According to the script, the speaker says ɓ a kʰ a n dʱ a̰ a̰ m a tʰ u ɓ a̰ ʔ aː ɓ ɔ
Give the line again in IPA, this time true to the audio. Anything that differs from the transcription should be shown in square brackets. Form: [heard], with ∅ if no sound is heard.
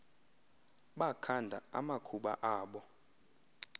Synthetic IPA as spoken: ɓ a kʰ a n dʱ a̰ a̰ m a [kʰ] u ɓ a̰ ʔ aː ɓ ɔ